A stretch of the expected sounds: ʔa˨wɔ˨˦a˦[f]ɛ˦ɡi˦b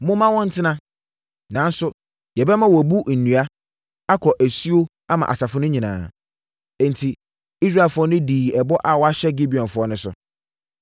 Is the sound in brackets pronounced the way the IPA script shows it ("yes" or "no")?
no